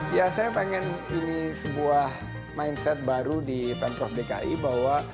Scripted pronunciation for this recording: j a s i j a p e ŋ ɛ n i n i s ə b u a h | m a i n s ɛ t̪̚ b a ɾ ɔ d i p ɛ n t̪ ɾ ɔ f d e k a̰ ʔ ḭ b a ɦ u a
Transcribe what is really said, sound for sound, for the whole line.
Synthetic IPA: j a s a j a p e ŋ ɛ n i n i s ə b u a h | m a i n s ɛ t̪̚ b a ɾ u d i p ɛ n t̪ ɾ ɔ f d e k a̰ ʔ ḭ b a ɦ w a